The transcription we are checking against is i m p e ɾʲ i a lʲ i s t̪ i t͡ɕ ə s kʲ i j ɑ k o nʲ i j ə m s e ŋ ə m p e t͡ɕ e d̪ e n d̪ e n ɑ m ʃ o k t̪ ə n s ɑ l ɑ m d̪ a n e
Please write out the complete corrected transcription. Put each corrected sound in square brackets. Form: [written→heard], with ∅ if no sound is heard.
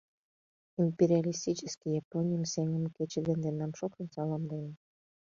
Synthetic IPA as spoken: i m p e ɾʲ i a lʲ i s t̪ i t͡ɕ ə s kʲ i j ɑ [k→p] o nʲ i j ə m s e ŋ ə m [p→k] e t͡ɕ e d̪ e n d̪ e n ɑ m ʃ o k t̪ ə n s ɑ l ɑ m d̪ [a→e] n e

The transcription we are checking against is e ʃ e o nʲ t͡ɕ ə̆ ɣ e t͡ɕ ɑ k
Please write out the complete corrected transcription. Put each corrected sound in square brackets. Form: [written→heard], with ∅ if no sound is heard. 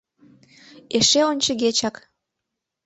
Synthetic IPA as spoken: e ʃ e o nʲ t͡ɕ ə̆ ɣ e t͡ɕ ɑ k

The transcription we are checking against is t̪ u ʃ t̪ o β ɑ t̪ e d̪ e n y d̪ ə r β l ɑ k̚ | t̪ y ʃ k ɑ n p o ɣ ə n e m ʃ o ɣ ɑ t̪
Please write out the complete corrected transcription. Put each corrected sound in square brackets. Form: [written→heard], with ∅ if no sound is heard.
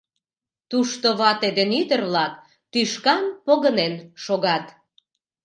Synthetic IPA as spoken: t̪ u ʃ t̪ o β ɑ t̪ e d̪ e n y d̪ ə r β l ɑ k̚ | t̪ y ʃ k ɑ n p o ɣ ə n e [m→n] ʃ o ɣ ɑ t̪

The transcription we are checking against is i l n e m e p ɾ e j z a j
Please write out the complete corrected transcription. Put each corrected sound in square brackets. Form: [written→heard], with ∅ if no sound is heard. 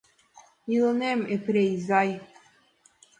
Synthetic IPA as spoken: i l n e m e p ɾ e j z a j

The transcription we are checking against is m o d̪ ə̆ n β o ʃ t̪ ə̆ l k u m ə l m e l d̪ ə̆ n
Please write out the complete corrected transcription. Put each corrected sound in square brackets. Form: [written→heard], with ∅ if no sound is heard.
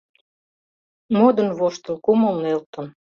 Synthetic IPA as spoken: m o d̪ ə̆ n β o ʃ t̪ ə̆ l k u m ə l [m→n] e l [d̪→t̪] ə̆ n

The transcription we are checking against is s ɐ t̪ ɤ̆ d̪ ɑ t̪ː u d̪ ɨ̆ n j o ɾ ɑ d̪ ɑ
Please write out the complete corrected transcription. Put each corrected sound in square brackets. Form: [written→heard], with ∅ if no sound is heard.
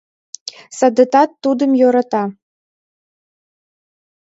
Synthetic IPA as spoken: s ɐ [t̪→d̪] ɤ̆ [d̪→t̪] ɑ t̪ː u d̪ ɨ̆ [n→m] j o ɾ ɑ [d̪→t̪] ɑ

